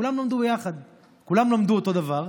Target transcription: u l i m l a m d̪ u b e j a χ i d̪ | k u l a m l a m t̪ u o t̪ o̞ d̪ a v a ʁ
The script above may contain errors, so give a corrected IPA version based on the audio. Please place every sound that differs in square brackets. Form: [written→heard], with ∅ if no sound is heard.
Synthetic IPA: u l [i→a] m l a m d̪ u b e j a χ [i→a] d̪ | k u l a m l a m [t̪→d̪] u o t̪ o̞ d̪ a v a ʁ